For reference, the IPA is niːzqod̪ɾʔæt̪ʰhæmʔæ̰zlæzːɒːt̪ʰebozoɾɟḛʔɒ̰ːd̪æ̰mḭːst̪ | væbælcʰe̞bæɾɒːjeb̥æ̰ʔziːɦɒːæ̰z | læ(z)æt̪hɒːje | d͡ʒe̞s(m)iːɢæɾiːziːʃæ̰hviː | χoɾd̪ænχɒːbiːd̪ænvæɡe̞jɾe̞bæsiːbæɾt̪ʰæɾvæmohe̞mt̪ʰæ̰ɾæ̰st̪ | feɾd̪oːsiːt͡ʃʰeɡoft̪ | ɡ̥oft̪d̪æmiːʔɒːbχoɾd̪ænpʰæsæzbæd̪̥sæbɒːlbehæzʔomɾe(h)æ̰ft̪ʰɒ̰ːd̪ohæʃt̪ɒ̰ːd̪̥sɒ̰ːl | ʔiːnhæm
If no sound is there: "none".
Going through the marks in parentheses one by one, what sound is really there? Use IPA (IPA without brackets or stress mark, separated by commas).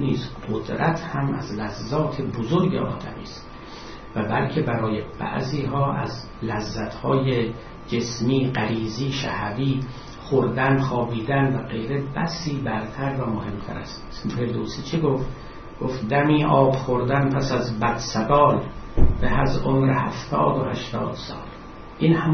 zː, m, h